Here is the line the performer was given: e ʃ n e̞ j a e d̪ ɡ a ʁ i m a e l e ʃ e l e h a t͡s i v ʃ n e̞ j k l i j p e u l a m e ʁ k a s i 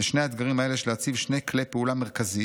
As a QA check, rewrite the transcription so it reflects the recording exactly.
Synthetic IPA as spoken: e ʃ n e̞ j a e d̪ ɡ a ʁ i m a e l e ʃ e l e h a t͡s i v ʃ n e̞ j k l e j p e u l a m e ʁ k a z i